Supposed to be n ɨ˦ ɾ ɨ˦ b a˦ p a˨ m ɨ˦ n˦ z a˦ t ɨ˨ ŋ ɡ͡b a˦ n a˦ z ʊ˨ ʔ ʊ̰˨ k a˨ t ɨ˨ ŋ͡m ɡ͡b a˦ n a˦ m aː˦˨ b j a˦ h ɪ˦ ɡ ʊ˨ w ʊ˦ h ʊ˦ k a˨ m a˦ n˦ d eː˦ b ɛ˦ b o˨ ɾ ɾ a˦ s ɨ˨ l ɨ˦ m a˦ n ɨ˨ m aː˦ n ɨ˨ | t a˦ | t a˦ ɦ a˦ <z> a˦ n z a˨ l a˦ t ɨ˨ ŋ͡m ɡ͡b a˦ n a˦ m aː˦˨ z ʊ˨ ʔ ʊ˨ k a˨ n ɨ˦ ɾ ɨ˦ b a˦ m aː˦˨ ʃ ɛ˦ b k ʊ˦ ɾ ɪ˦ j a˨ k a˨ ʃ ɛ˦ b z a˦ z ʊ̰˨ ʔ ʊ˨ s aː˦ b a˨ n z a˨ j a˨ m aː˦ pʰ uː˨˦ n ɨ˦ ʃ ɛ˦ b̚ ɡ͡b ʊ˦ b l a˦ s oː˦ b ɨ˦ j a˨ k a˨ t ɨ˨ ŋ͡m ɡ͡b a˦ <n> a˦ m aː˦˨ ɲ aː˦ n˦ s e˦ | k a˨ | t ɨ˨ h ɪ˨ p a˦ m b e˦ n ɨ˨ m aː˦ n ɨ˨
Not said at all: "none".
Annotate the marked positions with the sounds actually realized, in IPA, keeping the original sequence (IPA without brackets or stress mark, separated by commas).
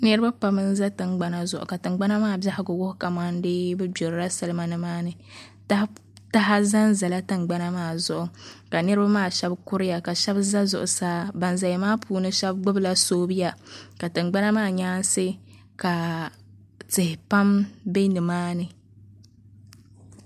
z, n